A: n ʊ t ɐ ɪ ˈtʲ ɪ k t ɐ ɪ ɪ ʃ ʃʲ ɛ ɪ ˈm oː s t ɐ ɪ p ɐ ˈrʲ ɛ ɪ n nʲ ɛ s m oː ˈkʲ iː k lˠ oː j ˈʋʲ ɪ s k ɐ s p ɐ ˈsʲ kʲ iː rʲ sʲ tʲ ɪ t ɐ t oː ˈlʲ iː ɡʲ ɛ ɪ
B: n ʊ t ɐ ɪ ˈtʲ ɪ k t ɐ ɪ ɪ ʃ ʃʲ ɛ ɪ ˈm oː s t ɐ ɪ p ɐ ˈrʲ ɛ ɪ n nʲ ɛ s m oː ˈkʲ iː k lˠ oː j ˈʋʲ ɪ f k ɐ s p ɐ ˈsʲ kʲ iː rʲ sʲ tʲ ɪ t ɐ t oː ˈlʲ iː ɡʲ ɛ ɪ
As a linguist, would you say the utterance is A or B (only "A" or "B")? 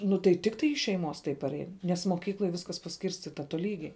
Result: A